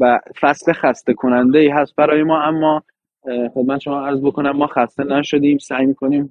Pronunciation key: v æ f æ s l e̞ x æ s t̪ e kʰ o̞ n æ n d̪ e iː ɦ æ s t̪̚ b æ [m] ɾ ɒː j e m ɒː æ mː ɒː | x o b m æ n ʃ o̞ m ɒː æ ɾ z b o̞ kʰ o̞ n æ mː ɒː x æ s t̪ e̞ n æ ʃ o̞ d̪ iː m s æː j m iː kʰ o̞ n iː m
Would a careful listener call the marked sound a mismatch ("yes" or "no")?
yes